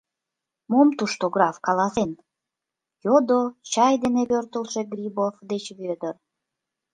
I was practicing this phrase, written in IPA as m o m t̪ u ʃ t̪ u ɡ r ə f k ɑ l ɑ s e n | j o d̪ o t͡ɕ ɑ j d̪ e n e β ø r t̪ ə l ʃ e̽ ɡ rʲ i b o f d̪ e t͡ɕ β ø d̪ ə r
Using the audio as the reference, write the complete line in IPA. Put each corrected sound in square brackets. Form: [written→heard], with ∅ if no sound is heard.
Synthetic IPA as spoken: m o m t̪ u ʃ t̪ [u→o] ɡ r [ə→ɑ] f k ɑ l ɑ s e n | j o d̪ o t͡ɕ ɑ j d̪ e n e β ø r t̪ ə l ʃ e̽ ɡ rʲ i b o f d̪ e t͡ɕ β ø d̪ ə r